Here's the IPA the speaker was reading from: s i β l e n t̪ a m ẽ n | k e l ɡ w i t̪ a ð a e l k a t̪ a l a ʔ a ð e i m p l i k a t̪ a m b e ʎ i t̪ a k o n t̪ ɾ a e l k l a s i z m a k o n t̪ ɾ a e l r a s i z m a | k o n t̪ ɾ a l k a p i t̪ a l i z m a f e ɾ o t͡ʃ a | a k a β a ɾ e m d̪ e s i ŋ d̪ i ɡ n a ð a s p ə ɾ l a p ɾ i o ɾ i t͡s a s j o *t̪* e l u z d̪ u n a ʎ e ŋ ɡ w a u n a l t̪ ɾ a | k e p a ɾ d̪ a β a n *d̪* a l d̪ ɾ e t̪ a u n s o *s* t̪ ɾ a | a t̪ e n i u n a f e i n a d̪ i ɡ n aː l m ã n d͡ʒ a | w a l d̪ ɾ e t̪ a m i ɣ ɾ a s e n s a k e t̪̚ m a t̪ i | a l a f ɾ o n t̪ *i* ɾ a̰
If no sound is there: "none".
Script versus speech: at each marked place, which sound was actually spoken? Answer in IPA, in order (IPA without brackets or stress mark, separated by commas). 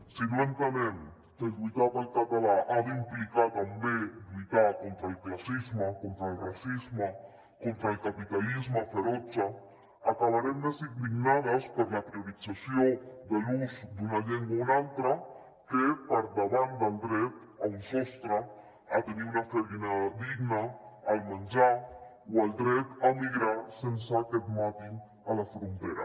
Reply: d̪, d̪, s, e